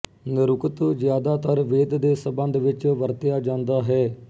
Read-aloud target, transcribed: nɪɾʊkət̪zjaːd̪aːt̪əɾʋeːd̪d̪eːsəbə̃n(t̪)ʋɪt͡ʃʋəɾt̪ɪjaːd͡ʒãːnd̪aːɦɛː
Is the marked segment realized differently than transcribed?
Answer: yes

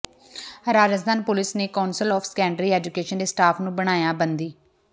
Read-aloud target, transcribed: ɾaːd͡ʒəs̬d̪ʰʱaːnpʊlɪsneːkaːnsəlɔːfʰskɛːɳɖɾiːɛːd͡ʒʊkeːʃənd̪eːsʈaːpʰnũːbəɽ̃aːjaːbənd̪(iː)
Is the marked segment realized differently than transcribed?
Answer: no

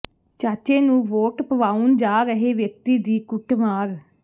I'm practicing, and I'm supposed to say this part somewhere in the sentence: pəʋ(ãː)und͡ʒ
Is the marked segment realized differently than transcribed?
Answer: yes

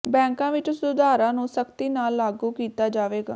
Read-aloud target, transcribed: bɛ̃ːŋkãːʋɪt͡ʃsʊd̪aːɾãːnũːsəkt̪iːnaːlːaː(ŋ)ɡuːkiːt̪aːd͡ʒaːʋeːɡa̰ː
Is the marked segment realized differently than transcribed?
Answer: yes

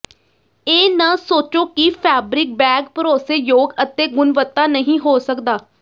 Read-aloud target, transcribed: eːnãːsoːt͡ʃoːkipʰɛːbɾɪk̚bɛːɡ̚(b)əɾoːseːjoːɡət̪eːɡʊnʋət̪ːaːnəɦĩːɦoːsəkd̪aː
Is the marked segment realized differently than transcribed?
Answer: yes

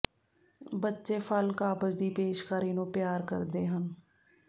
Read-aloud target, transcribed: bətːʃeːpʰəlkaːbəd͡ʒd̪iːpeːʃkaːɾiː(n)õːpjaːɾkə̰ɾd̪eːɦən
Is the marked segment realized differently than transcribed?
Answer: no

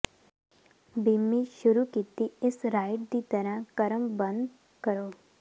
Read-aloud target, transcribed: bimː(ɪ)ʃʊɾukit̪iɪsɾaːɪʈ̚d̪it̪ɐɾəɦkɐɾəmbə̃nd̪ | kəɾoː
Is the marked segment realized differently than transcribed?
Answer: yes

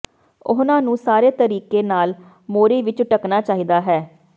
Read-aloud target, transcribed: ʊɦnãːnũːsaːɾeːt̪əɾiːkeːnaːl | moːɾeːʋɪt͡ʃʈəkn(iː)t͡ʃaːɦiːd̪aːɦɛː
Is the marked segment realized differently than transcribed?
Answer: yes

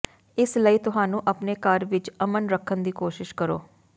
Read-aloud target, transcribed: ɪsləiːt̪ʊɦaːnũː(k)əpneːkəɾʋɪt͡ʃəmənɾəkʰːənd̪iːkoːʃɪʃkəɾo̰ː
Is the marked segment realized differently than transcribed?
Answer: yes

